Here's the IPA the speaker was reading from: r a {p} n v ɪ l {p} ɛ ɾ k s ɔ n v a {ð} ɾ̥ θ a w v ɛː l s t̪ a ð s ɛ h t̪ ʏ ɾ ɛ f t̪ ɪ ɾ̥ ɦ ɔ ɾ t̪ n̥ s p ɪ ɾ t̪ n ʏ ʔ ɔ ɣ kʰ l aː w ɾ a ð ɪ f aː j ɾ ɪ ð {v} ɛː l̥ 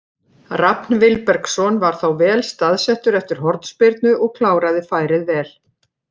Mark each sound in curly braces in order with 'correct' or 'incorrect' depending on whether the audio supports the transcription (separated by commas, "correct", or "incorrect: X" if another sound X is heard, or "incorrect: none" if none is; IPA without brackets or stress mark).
correct, correct, incorrect: none, correct